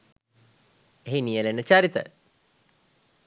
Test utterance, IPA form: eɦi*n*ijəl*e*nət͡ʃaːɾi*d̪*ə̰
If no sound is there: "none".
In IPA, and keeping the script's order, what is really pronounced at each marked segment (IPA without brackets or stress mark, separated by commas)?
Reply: n, e, t̪